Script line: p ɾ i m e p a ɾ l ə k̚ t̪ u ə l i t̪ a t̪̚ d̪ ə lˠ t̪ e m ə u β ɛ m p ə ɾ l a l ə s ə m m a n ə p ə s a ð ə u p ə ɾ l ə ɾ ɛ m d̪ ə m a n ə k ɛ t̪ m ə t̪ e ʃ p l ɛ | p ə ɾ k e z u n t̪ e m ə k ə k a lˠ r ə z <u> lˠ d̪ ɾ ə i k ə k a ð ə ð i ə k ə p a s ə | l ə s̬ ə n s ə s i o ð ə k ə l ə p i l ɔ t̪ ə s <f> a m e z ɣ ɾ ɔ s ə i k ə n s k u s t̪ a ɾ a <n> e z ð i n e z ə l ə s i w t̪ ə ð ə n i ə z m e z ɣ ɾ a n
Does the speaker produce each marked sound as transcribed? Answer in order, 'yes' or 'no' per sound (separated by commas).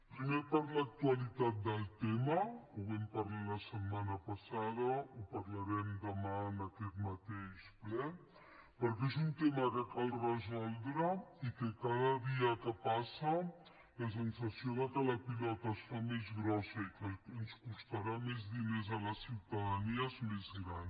no, yes, no